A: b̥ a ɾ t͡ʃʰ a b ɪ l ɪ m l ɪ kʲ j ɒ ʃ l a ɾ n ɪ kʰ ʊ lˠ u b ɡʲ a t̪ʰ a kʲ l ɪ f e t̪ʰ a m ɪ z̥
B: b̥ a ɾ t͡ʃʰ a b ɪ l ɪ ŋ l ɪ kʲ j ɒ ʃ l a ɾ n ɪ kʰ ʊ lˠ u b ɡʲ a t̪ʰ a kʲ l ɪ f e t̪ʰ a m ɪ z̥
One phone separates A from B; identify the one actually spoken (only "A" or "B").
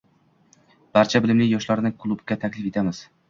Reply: A